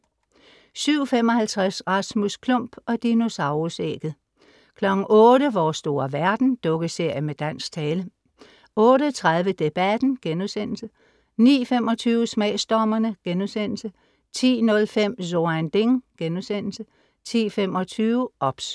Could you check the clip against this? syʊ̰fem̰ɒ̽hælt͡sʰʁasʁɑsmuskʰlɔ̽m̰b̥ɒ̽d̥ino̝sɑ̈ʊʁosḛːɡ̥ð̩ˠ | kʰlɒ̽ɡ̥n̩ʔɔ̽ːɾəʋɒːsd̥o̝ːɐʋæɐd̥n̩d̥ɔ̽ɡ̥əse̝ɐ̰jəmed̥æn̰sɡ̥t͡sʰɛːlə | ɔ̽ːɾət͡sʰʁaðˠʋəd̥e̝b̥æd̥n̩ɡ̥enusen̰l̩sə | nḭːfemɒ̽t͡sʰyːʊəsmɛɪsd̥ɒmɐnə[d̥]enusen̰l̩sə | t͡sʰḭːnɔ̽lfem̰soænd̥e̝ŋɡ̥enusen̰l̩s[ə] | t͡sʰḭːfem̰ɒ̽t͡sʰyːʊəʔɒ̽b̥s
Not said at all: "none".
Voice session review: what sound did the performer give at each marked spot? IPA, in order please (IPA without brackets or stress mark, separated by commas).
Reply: ɡ̥, ə